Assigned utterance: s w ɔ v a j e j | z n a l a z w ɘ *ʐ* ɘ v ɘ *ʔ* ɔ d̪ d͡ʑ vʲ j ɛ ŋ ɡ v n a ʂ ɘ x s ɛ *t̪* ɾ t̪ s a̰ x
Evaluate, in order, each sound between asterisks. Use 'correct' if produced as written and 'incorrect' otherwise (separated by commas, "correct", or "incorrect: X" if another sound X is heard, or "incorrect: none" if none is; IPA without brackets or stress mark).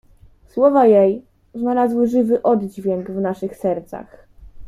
correct, correct, incorrect: none